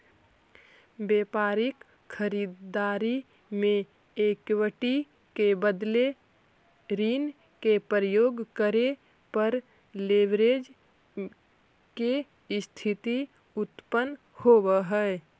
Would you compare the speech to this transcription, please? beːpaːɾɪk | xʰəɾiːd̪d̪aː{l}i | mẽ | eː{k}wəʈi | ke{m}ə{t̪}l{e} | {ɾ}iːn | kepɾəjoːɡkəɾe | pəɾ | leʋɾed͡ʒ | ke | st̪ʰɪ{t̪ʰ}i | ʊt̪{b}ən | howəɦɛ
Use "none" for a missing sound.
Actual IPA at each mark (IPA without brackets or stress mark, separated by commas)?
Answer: ɾ, k, b, d̪, e, ɾ, t̪, p